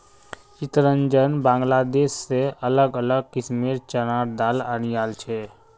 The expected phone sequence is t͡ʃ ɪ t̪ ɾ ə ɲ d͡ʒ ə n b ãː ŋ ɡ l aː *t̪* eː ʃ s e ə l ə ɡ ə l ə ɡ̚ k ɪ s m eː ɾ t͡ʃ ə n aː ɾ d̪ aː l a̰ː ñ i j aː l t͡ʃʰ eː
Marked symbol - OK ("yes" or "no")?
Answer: no